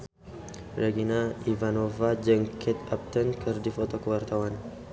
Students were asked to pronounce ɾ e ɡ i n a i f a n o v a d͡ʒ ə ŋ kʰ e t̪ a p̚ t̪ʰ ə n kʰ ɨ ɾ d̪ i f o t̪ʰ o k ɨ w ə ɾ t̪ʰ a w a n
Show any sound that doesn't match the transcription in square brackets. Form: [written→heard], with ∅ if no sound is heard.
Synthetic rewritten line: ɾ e ɡ i n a i [f→v] a n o v a d͡ʒ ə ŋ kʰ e t̪ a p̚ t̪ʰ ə n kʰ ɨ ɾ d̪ i f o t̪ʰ o k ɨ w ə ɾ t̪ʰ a w a n